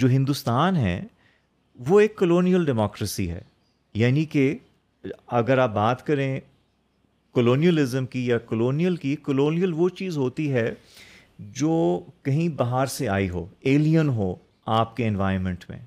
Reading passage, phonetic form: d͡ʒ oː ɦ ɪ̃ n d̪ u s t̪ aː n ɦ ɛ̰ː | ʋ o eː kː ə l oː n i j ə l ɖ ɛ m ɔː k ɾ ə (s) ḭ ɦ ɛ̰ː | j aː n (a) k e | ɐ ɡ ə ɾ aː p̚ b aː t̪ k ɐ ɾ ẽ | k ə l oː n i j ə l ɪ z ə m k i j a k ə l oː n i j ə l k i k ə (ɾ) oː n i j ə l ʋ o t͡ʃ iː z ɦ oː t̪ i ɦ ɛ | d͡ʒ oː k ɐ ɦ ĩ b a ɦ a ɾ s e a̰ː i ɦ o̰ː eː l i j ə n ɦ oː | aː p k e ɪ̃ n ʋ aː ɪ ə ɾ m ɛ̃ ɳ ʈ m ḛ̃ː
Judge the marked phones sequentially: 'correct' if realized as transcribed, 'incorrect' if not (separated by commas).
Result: correct, incorrect, incorrect